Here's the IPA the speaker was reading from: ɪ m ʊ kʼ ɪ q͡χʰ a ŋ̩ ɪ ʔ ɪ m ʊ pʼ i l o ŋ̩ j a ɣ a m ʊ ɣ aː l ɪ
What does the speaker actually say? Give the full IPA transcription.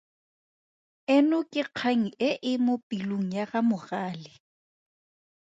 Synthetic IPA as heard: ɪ n ʊ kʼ ɪ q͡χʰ a ŋ̩ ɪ ʔ ɪ m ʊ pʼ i l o ŋ̩ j a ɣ a m ʊ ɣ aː l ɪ